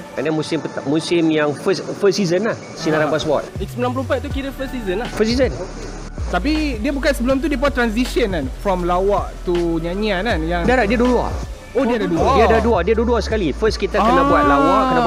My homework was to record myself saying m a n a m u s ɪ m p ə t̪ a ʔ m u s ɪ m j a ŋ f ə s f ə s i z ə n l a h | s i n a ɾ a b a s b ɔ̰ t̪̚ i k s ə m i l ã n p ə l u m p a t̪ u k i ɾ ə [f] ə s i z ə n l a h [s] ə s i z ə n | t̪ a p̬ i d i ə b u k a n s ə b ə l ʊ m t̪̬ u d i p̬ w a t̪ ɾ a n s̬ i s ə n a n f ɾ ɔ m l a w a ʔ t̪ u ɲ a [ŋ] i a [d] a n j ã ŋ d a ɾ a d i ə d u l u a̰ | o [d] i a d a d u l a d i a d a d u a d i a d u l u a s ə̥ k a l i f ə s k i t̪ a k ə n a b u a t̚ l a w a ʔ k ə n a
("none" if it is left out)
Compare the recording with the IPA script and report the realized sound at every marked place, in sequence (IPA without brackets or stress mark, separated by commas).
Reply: f, f, ɲ, n, d